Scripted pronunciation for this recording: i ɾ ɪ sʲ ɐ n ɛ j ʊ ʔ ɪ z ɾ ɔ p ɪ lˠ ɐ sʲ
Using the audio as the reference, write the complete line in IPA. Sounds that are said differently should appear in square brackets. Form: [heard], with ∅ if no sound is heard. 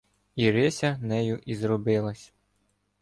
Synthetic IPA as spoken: i ɾ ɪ sʲ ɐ n ɛ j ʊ ʔ [i] z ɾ ɔ [b] ɪ lˠ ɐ sʲ